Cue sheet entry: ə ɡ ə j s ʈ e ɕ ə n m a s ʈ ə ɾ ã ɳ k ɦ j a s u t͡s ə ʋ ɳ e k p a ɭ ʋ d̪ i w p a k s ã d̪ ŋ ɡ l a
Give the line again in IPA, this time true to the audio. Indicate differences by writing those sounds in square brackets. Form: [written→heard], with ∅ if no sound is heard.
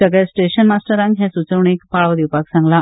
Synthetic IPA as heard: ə ɡ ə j s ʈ e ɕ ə n m a s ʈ ə ɾ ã [ɳ→ŋ] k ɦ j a s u t͡s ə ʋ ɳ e k p a ɭ ʋ d̪ i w p a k s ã [d̪→∅] ŋ ɡ l a